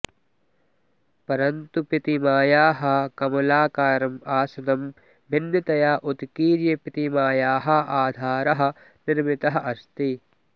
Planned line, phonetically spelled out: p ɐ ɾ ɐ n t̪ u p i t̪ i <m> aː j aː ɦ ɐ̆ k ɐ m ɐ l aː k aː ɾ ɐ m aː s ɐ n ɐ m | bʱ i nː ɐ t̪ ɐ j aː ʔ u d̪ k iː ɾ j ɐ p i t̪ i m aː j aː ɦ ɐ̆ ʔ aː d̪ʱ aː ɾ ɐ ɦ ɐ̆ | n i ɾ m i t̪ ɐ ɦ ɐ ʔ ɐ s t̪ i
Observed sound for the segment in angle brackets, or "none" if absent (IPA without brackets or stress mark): m